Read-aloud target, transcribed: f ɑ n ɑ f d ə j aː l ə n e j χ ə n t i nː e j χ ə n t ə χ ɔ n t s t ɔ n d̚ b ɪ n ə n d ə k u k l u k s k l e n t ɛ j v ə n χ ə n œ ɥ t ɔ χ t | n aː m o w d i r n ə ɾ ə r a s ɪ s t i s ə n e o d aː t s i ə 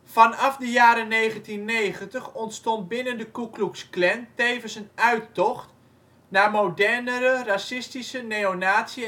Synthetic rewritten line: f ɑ n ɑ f d ə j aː ɾ ə n e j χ ə n t i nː e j χ ə n t ə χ ɔ n t s t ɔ n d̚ b ɪ n ə n d ə k u k l u k s k l ɛ n t e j v ə n s ə n œ ɥ t ɔ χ t | n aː m o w d ɛ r n ə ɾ ə r a s ɪ s t i s ə n e o n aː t s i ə